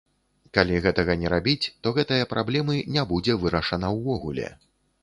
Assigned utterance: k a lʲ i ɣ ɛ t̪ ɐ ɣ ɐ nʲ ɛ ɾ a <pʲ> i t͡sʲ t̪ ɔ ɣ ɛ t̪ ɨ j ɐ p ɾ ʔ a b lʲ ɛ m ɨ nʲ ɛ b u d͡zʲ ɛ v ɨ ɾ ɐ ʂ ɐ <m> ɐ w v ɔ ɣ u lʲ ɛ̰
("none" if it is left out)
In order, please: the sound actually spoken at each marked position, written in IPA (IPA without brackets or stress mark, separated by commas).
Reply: bʲ, n